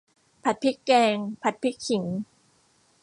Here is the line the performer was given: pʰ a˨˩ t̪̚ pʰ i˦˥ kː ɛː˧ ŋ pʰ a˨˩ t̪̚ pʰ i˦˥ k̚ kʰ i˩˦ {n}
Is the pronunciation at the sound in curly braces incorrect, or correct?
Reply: incorrect